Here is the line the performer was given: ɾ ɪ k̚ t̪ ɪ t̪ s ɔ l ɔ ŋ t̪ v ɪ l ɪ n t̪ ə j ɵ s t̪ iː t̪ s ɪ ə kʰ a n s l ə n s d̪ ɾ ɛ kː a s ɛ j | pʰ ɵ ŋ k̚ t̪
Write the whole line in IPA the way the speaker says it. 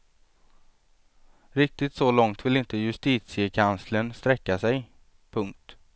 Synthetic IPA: ɾ ɪ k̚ t̪ ɪ t̪ s ɔ l ɔ ŋ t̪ v ɪ l ɪ n t̪ ə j ɵ s t̪ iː t̪ s ɪ ə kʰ a n s l ə n s t̪ ɾ ɛ kː a s ɛ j | pʰ ɵ ŋ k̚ t̪